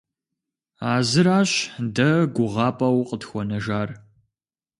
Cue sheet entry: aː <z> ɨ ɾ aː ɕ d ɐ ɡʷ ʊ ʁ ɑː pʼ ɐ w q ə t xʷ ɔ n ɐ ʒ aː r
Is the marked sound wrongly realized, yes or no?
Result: no